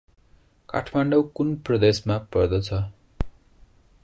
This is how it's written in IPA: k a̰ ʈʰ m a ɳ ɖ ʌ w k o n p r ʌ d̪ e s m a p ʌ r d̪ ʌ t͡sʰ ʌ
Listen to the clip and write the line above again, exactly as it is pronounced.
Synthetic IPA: k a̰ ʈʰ m a ɳ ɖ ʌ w k u n p r ʌ d̪ e s m a p ʌ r d̪ ʌ t͡sʰ ʌ